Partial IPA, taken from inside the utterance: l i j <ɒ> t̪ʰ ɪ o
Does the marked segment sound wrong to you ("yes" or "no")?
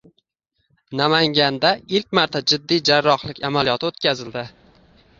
no